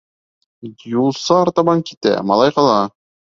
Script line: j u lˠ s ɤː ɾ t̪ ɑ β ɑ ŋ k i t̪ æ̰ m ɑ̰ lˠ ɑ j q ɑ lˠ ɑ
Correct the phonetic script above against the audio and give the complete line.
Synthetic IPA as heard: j u lˠ s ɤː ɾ t̪ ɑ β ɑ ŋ k i t̪ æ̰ m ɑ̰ lˠ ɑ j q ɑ lˠ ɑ